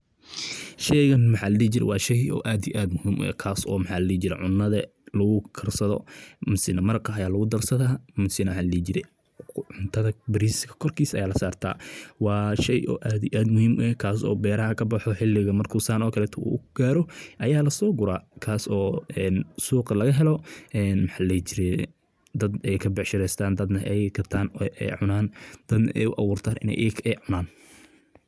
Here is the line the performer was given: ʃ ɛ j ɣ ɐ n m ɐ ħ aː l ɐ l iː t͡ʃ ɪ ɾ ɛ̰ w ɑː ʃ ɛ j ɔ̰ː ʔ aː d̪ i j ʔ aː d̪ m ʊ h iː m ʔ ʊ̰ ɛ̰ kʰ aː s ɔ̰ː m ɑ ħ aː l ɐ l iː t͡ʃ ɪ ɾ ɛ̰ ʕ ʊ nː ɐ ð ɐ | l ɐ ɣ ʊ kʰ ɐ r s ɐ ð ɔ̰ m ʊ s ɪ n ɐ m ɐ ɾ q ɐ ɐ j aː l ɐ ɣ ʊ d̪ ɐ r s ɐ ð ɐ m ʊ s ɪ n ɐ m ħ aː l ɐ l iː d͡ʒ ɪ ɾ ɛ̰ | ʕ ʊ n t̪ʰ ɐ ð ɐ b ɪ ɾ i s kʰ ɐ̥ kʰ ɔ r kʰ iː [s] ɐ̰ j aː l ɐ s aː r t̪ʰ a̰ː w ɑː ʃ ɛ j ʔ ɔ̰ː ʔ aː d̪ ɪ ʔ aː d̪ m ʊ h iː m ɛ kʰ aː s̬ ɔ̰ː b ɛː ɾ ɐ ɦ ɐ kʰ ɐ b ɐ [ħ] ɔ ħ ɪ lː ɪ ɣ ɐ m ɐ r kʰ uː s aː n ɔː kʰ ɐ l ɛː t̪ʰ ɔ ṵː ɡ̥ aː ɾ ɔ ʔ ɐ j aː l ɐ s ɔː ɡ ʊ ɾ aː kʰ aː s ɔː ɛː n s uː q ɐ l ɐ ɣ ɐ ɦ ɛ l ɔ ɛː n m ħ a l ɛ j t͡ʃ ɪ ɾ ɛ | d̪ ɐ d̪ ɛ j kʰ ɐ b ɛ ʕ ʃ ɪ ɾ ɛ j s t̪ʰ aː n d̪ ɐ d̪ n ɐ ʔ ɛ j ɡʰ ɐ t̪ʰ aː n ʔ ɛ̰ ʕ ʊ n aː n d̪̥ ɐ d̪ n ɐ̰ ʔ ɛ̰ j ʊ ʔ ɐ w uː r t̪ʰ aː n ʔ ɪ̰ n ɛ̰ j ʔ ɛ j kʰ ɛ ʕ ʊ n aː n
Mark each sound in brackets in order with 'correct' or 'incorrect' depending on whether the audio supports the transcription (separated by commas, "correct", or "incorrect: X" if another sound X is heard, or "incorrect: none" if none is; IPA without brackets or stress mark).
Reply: correct, correct